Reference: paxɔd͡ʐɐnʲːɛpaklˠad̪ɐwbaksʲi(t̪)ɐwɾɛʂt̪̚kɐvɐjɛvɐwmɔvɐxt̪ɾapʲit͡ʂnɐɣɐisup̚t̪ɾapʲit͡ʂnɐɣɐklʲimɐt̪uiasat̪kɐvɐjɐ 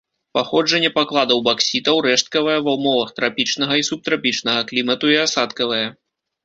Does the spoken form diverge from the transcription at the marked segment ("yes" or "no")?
no